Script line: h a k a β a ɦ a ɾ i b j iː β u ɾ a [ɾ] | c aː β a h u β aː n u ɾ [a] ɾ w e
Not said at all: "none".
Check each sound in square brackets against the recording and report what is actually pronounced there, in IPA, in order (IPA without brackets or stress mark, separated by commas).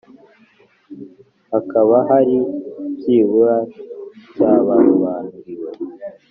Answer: none, i